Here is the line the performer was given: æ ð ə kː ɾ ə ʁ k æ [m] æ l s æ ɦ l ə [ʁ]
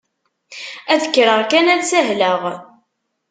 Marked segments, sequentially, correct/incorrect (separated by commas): incorrect, correct